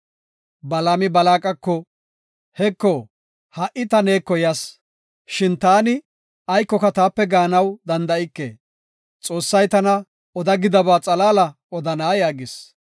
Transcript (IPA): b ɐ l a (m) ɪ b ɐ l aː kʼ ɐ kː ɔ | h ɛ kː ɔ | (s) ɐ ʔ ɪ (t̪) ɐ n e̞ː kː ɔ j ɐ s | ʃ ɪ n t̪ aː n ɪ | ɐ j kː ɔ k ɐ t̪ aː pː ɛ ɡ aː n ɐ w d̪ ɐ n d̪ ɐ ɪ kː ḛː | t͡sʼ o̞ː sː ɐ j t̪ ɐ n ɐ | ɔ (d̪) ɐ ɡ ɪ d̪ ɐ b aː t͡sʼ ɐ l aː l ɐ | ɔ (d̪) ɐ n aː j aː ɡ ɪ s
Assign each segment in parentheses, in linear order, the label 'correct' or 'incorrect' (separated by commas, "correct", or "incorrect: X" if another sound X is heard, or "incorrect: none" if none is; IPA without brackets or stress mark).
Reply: correct, incorrect: h, correct, correct, correct